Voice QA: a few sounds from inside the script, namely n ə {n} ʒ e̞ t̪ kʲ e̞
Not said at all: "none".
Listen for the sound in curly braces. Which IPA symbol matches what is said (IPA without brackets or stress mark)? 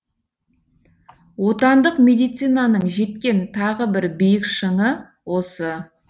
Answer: ɴ